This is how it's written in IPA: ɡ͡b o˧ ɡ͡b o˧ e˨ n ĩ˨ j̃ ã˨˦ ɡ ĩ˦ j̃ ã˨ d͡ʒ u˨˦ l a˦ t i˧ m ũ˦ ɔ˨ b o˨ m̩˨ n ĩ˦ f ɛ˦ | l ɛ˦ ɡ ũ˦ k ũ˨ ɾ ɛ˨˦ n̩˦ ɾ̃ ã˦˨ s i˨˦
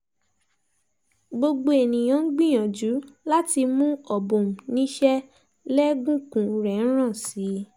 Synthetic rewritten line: ɡ͡b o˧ ɡ͡b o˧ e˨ n ĩ˨ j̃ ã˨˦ ɡ͡b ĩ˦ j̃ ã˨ d͡ʒ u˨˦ l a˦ t i˧ m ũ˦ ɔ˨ b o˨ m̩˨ n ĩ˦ ʃ ɛ˦ | l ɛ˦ ɡ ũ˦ k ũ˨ ɾ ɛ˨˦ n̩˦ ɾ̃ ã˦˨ s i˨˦